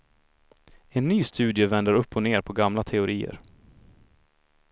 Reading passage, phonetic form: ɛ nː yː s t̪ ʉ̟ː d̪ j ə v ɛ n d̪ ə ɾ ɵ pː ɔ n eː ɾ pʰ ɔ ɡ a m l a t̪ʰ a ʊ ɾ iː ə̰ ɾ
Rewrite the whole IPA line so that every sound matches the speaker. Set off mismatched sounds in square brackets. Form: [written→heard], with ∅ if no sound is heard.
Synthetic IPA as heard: ɛ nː yː s t̪ ʉ̟ː d̪ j ə v ɛ n d̪ ə ɾ ɵ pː ɔ n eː ɾ pʰ ɔ ɡ a m l a t̪ʰ [a→ɛ] ʊ ɾ iː ə̰ ɾ